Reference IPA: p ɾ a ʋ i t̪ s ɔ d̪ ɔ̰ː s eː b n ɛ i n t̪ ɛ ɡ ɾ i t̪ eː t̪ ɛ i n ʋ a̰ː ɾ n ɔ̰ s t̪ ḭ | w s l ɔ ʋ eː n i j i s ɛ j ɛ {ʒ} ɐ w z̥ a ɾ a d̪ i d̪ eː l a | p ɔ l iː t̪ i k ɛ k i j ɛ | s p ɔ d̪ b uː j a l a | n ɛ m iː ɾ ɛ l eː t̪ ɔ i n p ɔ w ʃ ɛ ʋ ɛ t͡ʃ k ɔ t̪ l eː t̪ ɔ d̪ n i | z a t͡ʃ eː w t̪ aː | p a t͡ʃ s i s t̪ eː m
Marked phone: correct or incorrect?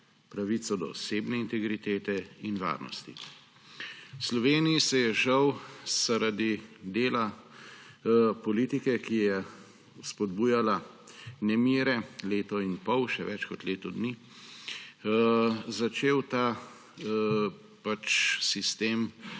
correct